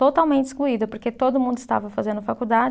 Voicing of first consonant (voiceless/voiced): voiceless